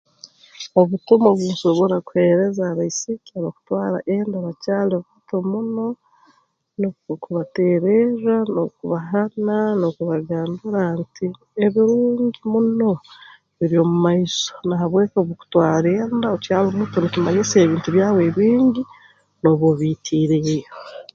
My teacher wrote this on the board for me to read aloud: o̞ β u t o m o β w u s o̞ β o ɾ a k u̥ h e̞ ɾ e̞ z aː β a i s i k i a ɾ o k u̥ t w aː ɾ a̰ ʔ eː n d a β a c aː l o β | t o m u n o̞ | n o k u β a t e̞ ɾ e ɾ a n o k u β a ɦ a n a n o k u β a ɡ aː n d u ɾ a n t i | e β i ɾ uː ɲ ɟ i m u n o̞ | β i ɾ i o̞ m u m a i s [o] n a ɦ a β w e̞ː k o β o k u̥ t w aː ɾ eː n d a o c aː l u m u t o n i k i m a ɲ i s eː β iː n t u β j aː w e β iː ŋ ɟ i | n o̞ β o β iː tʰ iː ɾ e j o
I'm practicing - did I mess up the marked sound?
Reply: no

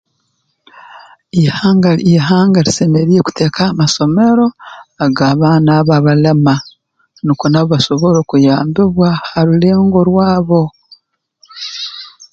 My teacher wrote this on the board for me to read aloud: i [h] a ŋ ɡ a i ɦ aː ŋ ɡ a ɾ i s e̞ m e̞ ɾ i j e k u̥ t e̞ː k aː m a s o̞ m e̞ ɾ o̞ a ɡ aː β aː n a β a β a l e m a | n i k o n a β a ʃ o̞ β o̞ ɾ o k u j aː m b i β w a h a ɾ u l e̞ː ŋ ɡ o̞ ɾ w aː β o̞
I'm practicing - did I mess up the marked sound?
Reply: no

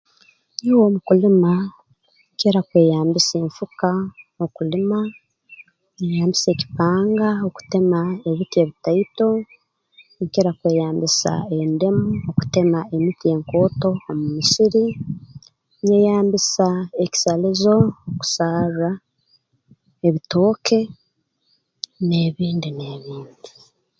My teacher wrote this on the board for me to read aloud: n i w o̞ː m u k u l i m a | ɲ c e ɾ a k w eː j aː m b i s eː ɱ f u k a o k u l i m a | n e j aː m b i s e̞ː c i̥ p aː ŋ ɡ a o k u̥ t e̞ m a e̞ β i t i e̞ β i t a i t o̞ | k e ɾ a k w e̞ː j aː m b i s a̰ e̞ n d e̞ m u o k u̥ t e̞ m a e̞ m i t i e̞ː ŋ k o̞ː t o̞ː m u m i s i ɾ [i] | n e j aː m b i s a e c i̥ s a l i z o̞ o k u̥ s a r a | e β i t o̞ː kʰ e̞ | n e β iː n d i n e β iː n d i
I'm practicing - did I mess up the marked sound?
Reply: no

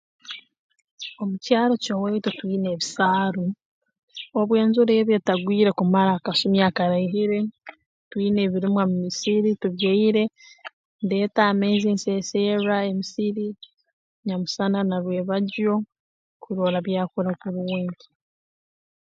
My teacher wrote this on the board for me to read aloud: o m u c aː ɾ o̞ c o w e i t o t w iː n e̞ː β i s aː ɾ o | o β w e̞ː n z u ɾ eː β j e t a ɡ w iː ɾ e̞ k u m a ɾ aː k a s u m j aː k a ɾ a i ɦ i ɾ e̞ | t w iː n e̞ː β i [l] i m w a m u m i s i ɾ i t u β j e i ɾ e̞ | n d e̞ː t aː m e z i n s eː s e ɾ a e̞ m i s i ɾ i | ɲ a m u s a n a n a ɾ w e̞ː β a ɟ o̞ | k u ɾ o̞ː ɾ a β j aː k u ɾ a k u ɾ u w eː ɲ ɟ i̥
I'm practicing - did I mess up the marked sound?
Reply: yes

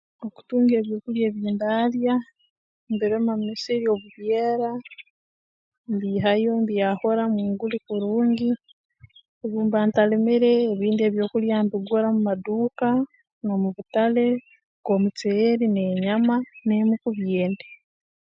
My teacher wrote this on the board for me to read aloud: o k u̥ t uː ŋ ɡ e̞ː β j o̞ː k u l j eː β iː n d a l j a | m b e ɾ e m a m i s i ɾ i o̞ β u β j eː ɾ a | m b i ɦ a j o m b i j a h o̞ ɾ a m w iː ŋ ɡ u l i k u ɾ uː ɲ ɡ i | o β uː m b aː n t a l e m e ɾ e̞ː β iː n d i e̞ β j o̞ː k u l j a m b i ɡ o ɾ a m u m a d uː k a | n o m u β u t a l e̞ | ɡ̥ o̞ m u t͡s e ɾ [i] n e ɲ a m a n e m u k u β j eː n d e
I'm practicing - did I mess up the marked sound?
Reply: no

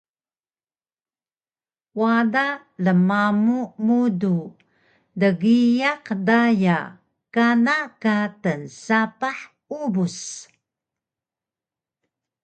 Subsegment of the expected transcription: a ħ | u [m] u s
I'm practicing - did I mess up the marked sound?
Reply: yes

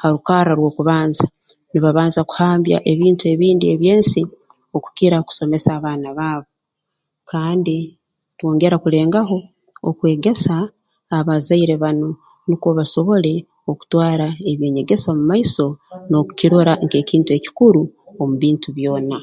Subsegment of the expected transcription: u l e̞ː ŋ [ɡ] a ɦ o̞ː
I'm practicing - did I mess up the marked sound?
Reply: no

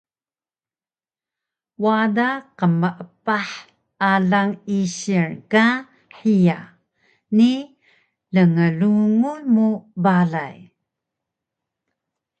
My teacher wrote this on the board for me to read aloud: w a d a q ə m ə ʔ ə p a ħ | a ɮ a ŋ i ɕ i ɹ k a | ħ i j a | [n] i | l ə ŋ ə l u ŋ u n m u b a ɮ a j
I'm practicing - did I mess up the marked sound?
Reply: no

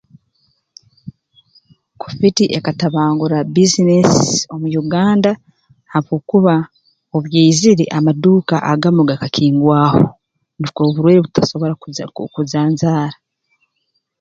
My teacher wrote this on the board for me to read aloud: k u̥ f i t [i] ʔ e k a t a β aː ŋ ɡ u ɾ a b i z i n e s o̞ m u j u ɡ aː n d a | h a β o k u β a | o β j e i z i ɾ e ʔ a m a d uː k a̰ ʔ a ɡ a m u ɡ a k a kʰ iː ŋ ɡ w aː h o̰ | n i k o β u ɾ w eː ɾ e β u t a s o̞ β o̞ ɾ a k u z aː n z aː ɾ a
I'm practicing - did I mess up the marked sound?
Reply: no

